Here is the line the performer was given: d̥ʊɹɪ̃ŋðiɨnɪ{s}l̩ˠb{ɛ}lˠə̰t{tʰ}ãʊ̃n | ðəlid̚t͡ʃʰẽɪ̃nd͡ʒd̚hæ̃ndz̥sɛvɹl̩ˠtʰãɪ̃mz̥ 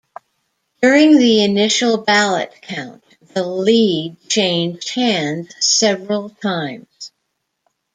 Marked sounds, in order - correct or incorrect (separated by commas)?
incorrect, incorrect, incorrect